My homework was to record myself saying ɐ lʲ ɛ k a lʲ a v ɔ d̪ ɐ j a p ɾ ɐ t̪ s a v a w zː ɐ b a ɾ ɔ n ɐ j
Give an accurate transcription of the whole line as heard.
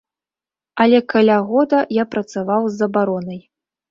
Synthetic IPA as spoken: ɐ lʲ ɛ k a lʲ a ɣ ɔ d̪ ɐ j a p ɾ ɐ t̪ s a v a w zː ɐ b a ɾ ɔ n ɐ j